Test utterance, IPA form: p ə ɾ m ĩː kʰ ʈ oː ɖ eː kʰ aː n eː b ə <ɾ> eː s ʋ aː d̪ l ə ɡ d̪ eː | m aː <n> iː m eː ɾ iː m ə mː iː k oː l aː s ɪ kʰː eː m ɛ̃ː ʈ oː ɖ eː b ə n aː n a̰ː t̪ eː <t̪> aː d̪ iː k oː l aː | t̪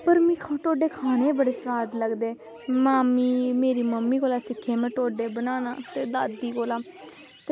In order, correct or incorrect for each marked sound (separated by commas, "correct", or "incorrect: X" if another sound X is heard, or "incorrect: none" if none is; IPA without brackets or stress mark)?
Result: incorrect: ɽ, incorrect: m, incorrect: d̪